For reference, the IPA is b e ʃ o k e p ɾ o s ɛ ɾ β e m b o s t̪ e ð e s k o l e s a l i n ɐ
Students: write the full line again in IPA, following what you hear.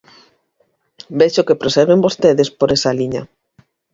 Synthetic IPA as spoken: b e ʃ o k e p ɾ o s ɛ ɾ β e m b o s t̪ e ð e s p o ɾ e s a l i ɲ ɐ